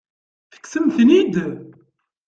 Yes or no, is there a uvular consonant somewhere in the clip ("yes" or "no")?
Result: no